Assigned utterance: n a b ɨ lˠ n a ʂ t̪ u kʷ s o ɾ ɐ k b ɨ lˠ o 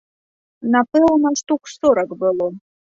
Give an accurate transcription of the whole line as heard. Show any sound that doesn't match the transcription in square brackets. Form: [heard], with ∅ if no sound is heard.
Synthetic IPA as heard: n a [p] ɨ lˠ n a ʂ t̪ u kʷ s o ɾ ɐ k b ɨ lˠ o